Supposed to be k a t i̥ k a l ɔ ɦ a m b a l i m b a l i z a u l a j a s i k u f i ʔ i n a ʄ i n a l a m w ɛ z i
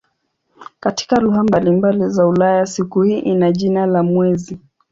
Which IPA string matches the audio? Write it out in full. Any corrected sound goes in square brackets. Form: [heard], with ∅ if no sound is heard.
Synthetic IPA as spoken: k a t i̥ k a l [u] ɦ a m b a l i m b a l i z a u l a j a s i k u [h] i ʔ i n a ʄ i n a l a m w ɛ z i